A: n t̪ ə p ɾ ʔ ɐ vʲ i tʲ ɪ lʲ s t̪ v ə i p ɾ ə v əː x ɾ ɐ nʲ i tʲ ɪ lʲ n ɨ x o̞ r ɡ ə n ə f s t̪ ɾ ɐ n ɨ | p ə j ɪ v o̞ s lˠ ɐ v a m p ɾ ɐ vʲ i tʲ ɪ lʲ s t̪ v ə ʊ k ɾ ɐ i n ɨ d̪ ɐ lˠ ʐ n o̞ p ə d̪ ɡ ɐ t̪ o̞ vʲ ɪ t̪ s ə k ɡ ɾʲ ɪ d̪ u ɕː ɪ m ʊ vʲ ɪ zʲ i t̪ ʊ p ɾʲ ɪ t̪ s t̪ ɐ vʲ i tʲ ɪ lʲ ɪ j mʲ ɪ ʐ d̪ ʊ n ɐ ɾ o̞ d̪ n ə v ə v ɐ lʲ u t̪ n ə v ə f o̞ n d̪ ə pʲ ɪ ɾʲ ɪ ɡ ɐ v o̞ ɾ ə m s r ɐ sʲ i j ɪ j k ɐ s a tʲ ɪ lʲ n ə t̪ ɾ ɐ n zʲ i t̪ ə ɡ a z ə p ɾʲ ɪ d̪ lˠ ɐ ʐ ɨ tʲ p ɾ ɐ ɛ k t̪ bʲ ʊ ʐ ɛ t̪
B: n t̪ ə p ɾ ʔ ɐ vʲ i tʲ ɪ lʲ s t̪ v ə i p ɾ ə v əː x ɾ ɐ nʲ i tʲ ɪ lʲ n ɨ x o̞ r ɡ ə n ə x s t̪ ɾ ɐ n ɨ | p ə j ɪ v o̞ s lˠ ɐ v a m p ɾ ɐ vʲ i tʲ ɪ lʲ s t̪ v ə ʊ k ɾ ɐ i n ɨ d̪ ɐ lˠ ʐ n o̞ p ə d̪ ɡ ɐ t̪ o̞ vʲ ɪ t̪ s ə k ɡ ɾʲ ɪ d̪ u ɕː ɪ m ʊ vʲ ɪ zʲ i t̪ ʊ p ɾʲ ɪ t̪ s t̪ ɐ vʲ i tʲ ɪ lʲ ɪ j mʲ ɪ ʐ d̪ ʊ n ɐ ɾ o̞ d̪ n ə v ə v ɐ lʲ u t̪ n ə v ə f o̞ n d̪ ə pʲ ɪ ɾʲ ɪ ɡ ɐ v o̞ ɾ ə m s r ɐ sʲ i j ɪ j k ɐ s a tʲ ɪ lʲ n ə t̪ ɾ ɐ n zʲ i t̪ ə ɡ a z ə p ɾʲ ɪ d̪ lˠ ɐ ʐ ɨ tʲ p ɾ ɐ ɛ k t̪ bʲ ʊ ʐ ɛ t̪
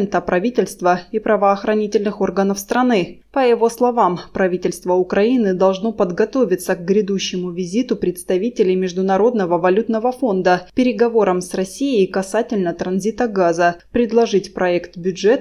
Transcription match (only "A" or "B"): A